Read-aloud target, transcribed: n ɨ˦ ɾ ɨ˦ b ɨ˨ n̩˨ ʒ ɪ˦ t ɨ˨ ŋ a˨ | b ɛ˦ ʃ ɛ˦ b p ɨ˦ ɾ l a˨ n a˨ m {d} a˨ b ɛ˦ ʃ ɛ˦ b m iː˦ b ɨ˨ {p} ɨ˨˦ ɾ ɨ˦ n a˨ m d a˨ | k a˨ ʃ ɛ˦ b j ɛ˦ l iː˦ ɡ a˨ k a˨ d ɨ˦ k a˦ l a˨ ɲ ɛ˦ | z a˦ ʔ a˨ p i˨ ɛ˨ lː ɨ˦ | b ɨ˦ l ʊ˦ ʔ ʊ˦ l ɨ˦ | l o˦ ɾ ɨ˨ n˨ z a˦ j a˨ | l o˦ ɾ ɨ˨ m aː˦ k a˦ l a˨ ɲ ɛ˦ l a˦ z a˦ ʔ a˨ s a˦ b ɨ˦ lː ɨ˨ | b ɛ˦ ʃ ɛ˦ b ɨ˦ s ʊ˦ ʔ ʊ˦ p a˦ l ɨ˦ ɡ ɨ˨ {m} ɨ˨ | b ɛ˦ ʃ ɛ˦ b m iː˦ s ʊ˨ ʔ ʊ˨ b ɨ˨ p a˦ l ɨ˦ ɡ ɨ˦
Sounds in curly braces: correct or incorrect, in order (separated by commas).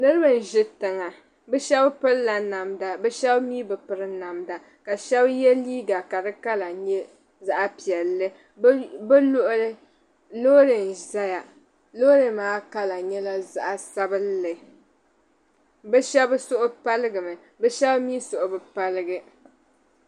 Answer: correct, correct, correct